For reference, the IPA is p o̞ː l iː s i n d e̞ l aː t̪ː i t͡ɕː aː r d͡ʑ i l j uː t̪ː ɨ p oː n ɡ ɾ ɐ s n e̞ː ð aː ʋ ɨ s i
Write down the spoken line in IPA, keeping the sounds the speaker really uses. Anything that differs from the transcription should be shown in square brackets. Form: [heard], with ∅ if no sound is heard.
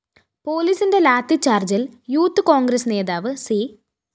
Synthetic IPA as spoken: p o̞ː l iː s i n d e̞ l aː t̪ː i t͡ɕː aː r d͡ʑ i l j uː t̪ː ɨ [k] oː [ŋ] ɡ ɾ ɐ s n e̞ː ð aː ʋ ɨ s i